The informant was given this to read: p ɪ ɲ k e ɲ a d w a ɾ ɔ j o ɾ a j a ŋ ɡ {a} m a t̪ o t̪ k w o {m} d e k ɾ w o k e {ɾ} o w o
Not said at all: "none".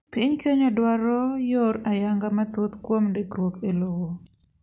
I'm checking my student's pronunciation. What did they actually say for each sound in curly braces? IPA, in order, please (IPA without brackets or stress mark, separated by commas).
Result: a, m, l